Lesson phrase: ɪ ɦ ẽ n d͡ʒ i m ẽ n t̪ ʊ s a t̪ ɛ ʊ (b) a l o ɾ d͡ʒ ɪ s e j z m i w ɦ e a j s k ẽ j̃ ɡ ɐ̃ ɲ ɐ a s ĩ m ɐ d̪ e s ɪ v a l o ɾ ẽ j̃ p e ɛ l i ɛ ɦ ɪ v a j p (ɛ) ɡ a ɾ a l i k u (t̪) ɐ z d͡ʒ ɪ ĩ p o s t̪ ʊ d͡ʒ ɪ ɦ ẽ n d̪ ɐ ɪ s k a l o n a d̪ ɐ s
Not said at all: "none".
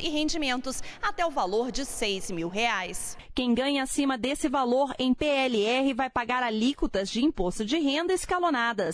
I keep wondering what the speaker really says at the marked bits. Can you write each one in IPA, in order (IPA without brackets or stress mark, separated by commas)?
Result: v, a, t̪